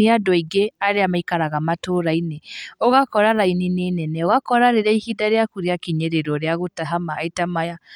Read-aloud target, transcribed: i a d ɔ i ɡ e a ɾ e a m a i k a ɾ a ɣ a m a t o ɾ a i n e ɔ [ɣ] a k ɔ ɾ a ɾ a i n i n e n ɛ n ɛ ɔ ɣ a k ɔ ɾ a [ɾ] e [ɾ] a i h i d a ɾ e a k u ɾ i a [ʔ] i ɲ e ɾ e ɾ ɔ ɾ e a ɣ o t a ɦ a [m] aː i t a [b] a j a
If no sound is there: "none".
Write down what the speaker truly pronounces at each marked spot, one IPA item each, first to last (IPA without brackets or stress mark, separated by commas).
ɣ, ɾ, ɾ, k, m, m